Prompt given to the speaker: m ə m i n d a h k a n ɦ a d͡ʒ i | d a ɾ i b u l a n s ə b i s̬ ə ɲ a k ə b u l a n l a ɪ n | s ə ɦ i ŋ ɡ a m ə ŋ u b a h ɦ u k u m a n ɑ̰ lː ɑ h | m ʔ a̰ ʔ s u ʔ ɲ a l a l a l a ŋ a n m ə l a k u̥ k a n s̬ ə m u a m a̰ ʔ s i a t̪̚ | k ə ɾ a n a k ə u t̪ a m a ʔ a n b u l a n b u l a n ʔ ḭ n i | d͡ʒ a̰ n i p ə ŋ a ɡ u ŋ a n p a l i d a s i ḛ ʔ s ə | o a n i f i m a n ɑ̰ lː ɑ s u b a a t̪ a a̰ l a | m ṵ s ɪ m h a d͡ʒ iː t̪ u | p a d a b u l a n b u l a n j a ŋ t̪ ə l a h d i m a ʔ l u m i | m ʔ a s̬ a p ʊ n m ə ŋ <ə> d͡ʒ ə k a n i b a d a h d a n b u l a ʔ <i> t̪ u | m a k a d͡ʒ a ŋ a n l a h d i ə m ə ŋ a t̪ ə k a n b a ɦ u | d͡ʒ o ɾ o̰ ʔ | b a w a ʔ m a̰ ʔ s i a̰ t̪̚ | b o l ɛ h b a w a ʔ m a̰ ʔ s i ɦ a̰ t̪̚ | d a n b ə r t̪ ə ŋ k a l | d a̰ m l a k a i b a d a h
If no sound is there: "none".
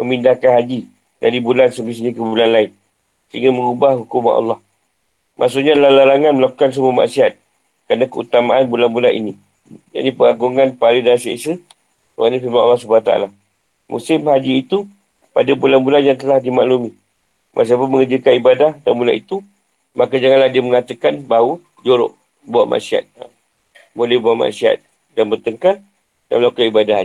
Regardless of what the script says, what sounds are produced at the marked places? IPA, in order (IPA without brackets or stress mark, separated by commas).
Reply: ə, i